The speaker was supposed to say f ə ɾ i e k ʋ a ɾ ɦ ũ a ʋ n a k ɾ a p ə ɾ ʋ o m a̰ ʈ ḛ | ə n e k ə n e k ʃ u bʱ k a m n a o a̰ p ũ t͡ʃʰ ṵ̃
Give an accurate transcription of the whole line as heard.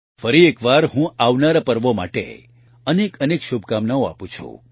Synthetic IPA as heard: f ə ɾ i e k ʋ a ɾ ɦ ũ a ʋ n a ɾ a p ə ɾ ʋ o m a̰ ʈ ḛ | ə n e k ə n e k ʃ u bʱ k a m n a o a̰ p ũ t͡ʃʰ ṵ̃